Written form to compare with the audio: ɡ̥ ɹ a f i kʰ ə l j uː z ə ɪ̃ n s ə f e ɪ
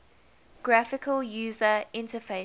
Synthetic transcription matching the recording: ɡ̥ ɹ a f ɪ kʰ ə l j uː z ə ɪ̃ n t ə f e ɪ